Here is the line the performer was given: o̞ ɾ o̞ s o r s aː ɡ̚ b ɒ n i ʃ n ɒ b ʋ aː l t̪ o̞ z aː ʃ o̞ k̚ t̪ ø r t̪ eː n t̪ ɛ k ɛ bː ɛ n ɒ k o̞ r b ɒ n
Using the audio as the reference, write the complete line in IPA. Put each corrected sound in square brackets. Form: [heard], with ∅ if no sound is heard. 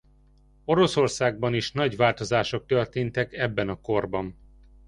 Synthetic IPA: o̞ ɾ o̞ s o r s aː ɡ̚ b ɒ n i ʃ n ɒ [ɟ] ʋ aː l t̪ o̞ z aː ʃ o̞ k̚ t̪ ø r t̪ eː n t̪ ɛ k ɛ bː ɛ n ɒ k o̞ r b ɒ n